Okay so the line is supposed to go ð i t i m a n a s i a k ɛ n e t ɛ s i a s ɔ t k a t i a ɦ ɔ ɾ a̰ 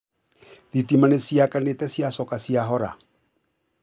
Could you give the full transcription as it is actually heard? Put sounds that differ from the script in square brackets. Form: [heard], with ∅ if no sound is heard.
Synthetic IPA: ð i t i m a n [e] s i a k [a] n e t ɛ s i a s ɔ [∅] k a [s] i a ɦ ɔ ɾ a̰

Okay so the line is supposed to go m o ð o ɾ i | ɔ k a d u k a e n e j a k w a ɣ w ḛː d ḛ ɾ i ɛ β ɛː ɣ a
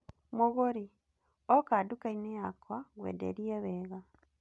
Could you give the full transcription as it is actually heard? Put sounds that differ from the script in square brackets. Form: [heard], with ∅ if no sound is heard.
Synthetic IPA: m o [ɣ] o ɾ i | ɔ k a d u k a [i] n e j a k w a ɣ w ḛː d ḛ ɾ i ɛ β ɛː ɣ a

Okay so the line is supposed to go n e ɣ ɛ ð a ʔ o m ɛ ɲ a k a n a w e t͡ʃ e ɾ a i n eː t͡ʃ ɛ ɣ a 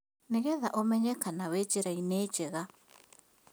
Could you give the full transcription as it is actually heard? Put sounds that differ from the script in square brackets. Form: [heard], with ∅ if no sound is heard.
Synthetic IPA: n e ɣ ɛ ð a ʔ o m ɛ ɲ [ɛ] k a n a w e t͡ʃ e ɾ a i n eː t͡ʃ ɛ ɣ a

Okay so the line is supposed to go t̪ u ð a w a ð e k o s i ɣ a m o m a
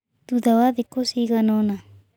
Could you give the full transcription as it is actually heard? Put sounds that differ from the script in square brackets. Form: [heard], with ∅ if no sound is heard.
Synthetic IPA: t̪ u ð a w a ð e k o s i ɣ a [n] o [n] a

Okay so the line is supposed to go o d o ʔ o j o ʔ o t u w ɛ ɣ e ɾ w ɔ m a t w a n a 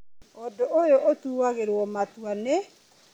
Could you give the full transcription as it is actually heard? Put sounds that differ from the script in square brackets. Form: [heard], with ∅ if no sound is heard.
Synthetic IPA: o d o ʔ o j o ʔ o t u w [a] ɣ e ɾ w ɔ m a t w a n [e]

